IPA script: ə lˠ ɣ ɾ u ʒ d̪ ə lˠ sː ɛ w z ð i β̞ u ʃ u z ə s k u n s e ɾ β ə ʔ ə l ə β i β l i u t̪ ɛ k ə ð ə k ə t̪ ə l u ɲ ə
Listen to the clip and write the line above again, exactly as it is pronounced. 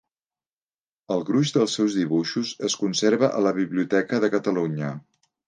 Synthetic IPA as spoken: ə lˠ ɣ ɾ u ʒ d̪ ə lˠ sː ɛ w z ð i β̞ u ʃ u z ə s k u n s e ɾ β ə ʔ ə l ə β i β l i u t̪ ɛ k ə ð ə k ə t̪ ə l u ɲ ə